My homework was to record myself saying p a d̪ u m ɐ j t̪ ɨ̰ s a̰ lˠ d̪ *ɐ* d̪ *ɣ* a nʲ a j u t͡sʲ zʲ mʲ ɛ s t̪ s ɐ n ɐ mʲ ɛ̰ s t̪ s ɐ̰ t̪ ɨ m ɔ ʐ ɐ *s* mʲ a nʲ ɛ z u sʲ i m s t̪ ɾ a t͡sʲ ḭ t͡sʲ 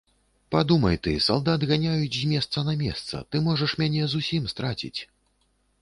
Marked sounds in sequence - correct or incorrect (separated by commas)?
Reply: incorrect, correct, incorrect